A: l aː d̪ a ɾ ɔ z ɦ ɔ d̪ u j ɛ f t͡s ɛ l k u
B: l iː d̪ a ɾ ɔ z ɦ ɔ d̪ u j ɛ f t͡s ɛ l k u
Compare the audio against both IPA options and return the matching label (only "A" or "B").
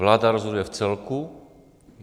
A